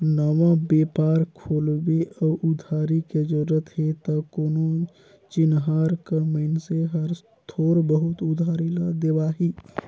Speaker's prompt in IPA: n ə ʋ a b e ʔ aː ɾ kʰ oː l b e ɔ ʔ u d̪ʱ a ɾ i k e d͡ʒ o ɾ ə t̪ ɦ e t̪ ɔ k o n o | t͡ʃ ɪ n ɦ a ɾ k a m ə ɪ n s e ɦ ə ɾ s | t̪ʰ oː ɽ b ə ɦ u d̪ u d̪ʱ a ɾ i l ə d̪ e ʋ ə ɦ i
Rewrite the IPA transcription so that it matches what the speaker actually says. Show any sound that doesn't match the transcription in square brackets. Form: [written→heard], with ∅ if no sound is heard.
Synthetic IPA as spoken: n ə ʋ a b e [ʔ→p] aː ɾ kʰ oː l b e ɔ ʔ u d̪ʱ a ɾ i k e d͡ʒ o ɾ ə t̪ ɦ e t̪ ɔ k o n o | t͡ʃ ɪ n ɦ a ɾ k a m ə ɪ n s e ɦ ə ɾ s | t̪ʰ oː [ɽ→ɾ] b ə ɦ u [d̪→t̪] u d̪ʱ a ɾ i l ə d̪ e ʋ [ə→a] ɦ i